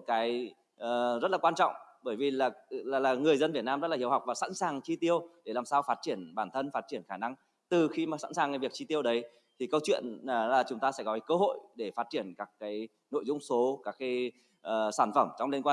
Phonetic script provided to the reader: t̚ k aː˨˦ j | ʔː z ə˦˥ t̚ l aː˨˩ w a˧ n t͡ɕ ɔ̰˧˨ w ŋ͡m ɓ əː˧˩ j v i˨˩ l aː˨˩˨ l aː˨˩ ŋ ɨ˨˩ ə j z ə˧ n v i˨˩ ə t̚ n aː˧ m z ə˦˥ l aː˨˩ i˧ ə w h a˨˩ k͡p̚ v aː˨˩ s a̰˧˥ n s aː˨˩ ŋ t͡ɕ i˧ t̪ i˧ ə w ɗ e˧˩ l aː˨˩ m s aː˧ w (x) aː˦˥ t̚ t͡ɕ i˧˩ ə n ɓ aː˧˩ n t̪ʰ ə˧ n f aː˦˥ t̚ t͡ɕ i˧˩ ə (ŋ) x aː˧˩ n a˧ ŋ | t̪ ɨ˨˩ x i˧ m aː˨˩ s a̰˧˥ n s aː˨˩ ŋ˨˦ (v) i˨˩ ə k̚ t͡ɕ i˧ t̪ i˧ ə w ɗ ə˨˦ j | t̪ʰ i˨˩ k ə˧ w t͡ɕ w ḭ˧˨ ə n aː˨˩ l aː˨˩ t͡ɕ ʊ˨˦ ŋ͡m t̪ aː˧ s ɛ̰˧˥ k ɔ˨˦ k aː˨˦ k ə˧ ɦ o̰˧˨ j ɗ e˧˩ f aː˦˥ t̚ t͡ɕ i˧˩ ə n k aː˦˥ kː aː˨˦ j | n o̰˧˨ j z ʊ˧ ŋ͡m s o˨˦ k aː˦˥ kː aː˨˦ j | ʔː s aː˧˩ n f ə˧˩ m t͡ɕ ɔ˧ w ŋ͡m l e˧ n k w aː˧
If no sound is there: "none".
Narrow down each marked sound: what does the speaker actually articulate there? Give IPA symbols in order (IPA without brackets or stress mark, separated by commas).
f, n, v